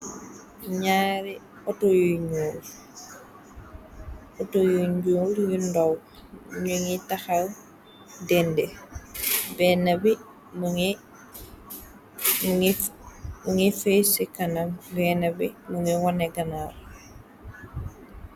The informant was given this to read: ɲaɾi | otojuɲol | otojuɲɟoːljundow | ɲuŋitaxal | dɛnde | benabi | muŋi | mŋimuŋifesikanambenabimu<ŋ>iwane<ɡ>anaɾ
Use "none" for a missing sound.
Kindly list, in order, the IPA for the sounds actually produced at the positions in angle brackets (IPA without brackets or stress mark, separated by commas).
ŋ, ɡ